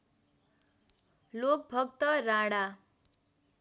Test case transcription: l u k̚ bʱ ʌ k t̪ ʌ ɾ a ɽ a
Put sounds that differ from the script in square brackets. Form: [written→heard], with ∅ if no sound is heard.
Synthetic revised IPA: l [u→o] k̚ bʱ ʌ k t̪ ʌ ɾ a ɽ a